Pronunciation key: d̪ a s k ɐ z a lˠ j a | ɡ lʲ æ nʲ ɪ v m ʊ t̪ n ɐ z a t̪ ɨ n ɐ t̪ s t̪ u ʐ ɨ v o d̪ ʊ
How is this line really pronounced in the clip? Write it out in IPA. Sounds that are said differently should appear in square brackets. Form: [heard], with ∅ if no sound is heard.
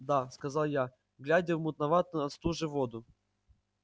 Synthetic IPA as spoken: d̪ a s k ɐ z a lˠ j a | ɡ lʲ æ [dʲ] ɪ v m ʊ t̪ n ɐ [v] a t̪ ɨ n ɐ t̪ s t̪ u ʐ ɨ v o d̪ ʊ